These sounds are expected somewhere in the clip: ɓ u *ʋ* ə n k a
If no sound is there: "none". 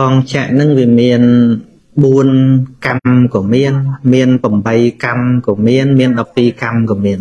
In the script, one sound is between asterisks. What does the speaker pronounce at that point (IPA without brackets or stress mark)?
none